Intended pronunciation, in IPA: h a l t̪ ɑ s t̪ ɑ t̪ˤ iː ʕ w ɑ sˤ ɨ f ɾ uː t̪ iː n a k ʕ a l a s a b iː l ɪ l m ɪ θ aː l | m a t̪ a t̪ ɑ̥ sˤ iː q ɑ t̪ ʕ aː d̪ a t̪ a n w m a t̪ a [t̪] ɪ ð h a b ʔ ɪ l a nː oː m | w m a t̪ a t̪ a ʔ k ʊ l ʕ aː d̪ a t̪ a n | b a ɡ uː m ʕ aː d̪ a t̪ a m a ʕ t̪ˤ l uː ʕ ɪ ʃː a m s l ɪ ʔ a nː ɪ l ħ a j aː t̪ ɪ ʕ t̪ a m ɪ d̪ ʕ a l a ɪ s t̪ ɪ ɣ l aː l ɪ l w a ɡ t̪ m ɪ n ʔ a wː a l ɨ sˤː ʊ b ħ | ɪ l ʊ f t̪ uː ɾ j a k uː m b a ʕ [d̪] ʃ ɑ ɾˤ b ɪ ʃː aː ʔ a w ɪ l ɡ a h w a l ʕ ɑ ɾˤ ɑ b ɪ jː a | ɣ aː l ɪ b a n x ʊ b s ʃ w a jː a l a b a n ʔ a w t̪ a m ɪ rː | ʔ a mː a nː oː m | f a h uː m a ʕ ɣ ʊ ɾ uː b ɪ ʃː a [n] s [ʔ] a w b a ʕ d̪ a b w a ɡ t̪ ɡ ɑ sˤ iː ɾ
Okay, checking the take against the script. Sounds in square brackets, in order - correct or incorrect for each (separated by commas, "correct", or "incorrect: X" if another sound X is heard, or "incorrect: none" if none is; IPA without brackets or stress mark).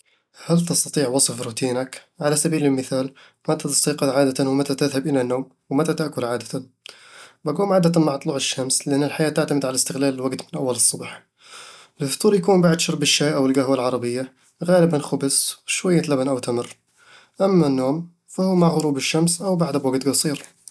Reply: correct, correct, incorrect: m, correct